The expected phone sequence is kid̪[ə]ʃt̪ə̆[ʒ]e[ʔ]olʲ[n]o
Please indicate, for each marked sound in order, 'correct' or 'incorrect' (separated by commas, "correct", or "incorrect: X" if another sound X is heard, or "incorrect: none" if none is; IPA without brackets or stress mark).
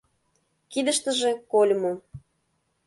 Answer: correct, correct, incorrect: k, incorrect: m